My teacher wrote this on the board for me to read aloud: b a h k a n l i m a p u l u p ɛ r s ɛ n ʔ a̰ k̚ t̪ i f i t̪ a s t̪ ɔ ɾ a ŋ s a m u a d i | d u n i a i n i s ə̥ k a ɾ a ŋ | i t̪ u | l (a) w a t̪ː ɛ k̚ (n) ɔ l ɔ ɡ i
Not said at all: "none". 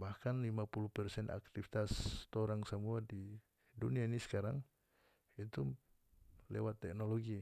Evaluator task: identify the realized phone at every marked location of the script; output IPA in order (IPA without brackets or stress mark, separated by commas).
ɛ, n